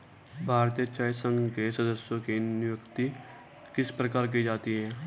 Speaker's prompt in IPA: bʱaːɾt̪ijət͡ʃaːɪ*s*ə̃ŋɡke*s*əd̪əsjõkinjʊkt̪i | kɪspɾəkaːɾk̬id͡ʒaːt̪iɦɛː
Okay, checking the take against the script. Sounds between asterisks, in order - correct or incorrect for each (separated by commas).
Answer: correct, correct